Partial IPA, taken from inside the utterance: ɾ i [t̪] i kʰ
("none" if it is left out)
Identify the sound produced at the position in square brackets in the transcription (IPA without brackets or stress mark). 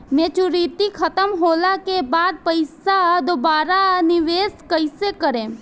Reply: t̪